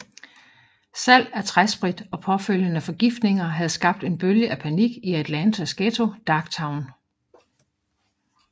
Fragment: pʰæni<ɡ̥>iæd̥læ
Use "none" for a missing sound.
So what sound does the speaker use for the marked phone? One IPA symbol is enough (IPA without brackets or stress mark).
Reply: ɡ̥